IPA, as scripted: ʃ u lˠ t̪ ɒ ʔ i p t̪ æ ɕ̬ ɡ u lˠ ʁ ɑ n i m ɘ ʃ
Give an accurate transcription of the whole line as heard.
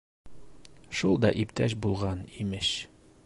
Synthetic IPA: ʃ u lˠ d̪ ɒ ʔ i p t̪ æ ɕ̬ b u lˠ ʁ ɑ n i m ɘ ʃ